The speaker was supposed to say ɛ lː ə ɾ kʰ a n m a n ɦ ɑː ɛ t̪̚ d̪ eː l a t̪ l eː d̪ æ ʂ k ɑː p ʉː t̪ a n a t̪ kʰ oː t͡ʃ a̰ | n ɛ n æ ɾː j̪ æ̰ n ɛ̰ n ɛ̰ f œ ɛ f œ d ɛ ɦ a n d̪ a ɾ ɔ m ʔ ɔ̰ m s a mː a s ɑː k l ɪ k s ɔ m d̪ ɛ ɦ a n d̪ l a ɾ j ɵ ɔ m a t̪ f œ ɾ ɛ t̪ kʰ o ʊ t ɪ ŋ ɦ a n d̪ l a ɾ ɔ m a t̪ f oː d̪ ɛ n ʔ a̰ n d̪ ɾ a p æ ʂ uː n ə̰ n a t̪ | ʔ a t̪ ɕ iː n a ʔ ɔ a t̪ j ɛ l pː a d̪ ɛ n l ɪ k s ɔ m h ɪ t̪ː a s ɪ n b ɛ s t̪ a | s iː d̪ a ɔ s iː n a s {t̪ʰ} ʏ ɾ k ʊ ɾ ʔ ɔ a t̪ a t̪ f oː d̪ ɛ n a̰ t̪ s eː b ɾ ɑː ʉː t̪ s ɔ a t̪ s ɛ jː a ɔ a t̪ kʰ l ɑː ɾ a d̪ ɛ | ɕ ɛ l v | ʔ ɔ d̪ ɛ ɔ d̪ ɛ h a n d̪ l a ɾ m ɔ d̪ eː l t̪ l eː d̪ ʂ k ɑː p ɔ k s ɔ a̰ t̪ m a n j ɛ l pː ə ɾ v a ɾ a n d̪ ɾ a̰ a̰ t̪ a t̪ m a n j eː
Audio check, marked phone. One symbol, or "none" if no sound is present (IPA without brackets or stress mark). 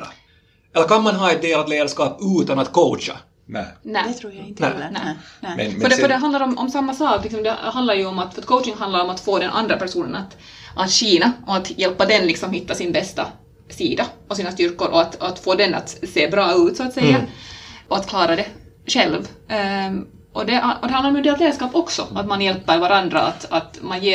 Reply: t̪